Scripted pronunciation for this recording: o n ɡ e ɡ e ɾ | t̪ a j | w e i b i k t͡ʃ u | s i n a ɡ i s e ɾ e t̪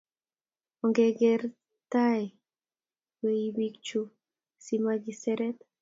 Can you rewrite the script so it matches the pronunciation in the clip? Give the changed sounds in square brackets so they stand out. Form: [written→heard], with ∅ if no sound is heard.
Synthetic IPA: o [n→ŋ] ɡ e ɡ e ɾ | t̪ a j | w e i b i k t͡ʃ u | s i [n→m] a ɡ i s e ɾ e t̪